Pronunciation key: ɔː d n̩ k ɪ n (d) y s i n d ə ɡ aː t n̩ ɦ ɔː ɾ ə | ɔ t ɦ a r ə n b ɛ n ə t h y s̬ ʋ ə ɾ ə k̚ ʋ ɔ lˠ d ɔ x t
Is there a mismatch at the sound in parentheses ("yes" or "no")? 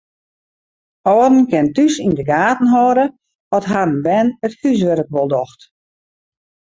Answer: yes